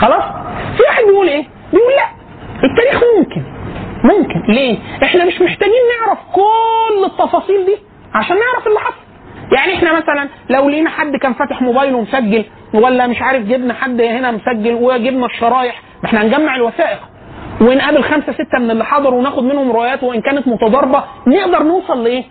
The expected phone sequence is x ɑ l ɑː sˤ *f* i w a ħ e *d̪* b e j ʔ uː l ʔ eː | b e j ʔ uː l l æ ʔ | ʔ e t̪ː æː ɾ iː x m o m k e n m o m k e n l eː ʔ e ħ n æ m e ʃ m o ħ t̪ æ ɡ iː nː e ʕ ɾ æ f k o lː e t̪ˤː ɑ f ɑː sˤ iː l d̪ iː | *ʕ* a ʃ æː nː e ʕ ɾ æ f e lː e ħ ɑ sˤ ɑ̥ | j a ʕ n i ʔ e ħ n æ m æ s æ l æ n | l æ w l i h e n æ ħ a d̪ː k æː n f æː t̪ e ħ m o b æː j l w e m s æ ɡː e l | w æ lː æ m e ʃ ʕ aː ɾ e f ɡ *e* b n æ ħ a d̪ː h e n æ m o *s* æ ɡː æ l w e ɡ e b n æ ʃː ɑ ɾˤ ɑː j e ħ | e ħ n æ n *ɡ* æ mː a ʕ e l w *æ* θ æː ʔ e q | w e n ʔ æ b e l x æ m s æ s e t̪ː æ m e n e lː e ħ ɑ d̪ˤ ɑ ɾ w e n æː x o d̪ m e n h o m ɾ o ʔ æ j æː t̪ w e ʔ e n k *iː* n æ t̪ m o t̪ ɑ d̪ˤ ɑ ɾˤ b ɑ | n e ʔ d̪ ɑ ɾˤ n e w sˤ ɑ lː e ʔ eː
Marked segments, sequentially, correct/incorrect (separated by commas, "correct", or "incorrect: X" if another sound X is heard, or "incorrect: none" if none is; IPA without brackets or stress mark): correct, correct, correct, correct, correct, correct, correct, incorrect: æː